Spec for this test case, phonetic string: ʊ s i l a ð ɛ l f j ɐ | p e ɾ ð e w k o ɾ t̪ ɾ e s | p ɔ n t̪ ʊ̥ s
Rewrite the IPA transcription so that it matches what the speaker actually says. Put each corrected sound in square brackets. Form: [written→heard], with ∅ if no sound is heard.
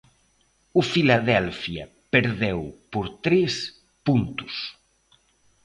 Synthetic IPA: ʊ [s→f] i l a ð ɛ l f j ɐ | p e ɾ ð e w [k→p] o ɾ t̪ ɾ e s | p [ɔ→u] n t̪ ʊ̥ s